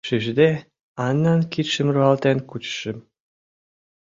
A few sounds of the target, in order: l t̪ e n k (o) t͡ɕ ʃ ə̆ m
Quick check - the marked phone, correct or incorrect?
incorrect